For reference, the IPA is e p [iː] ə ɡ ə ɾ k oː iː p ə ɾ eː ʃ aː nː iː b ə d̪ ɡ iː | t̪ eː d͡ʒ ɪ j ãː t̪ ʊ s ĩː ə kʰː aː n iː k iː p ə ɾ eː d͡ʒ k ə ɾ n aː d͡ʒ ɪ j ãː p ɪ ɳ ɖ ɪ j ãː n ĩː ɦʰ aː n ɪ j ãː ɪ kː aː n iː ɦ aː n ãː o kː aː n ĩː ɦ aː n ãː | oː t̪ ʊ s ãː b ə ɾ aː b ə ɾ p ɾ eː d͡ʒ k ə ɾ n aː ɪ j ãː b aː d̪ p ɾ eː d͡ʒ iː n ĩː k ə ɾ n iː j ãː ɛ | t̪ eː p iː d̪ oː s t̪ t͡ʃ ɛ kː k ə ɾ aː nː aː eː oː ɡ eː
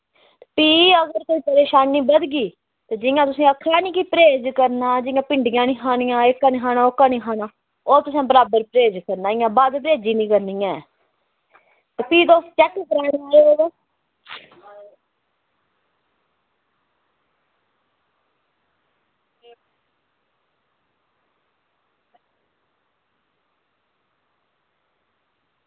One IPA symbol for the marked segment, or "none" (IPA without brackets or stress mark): iː